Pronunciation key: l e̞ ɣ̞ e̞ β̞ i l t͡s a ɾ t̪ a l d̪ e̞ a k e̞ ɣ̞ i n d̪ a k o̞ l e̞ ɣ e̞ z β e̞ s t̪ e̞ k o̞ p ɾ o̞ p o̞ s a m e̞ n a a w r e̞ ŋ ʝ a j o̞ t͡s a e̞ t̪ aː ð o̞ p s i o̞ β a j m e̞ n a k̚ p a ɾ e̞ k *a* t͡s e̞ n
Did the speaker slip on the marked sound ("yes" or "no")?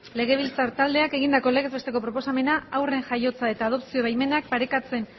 no